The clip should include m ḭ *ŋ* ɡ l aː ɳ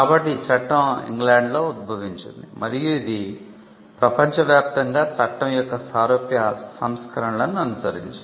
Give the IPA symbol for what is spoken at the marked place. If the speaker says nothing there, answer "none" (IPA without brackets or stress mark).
ŋ